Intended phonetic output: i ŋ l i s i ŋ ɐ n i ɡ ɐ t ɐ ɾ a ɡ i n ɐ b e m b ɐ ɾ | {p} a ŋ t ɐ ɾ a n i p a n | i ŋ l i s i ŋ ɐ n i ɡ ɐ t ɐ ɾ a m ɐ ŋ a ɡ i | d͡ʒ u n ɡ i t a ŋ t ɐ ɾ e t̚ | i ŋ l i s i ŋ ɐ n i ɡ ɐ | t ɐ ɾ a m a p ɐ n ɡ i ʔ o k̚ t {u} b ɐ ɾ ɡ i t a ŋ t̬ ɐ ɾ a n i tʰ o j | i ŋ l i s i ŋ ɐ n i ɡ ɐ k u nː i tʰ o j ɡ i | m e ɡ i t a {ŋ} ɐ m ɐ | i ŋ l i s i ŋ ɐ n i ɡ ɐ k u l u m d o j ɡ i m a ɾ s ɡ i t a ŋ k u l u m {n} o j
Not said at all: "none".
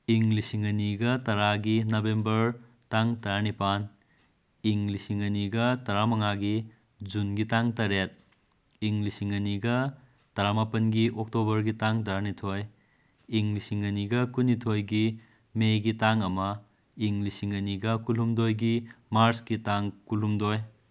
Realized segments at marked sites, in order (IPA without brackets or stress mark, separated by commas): t, o, ŋ, d